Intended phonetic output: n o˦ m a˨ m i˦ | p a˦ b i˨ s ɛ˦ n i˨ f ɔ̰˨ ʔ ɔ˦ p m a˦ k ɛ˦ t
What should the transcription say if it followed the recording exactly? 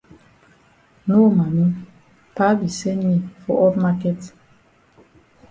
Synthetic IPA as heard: n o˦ m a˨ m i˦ | p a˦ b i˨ s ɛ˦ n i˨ f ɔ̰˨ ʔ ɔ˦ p m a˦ k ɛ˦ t